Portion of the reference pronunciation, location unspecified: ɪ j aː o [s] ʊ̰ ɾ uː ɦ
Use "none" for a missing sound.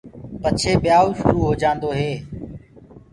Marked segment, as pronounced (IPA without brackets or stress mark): ʃ